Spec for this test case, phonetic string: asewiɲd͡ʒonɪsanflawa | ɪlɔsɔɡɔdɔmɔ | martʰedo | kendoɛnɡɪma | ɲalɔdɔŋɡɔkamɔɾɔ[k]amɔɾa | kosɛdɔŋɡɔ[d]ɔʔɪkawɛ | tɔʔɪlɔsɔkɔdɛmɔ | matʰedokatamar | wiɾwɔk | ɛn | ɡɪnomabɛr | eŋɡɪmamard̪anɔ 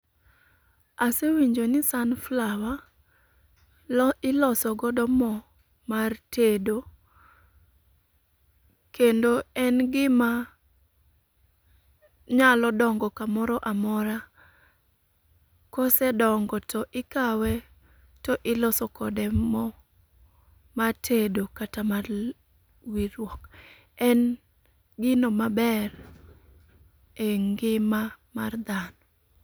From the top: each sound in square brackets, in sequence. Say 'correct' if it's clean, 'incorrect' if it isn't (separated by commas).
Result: incorrect, incorrect